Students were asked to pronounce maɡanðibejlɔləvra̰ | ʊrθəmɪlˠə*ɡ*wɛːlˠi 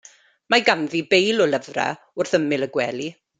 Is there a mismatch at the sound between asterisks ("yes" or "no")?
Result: no